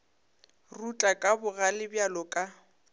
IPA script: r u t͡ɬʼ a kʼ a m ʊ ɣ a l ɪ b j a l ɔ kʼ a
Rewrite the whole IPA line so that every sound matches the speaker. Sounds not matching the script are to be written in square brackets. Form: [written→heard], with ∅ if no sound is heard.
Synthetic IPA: r u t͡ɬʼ a kʼ a [m→b] ʊ ɣ a l ɪ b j a l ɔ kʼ a

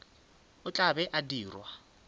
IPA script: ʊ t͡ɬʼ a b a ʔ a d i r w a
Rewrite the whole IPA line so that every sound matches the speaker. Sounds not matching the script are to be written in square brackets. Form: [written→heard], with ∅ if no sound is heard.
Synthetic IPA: ʊ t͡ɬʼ a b [a→ɛ] ʔ a d [i→iː] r w a

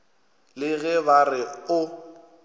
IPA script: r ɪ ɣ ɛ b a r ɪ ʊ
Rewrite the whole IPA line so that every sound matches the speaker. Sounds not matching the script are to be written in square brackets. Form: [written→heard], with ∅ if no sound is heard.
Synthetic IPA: [r→l] ɪ ɣ ɛ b a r ɪ ʊ

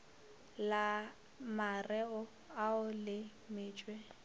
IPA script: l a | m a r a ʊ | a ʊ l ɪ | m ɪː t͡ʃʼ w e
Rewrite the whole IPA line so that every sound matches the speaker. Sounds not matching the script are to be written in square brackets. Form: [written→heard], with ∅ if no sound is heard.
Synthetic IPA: l a | m a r [a→ɛ] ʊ | a ʊ l ɪ | m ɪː t͡ʃʼ w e

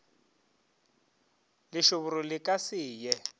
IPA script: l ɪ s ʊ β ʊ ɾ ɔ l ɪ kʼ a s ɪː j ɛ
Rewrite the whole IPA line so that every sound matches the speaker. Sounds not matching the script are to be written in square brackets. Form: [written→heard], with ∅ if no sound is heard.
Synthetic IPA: l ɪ [s→ʃ] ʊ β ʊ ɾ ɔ l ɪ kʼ a s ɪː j ɛ

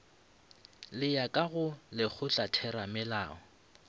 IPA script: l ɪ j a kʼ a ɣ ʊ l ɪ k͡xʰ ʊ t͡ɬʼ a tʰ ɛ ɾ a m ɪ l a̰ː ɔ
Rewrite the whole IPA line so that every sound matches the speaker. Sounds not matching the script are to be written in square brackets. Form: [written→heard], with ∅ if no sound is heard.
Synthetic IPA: l ɪ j a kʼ a ɣ ʊ l ɪ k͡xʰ ʊ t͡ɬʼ a tʰ ɛ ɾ a m ɪ l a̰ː ɔ

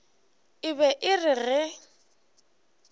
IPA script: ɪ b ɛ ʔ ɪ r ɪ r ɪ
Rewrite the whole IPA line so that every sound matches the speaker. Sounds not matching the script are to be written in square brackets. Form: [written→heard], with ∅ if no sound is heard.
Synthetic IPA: ɪ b ɛ ʔ ɪ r ɪ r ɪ

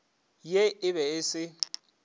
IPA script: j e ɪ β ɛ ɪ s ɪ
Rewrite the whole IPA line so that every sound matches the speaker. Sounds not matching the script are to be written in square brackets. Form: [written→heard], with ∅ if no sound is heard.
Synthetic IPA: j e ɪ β ɛ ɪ s ɪ

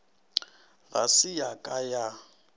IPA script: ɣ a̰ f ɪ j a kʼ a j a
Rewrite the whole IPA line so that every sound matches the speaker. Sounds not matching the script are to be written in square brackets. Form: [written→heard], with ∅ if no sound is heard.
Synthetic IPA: ɣ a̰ [f→s] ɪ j a kʼ a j a

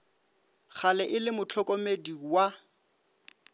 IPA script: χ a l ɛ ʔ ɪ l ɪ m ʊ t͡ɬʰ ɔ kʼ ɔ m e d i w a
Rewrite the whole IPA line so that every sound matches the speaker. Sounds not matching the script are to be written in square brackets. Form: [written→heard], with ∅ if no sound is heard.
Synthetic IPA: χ a l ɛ ʔ ɪ l ɪ m ʊ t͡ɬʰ ɔ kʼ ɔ m e d i w a

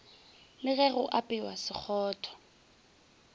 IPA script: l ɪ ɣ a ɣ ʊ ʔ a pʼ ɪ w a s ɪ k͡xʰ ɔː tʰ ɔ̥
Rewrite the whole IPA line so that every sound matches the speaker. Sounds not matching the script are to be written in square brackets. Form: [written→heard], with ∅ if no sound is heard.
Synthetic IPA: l ɪ ɣ [a→ɛ] ɣ ʊ ʔ a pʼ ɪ w a s ɪ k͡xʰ ɔː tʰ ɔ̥

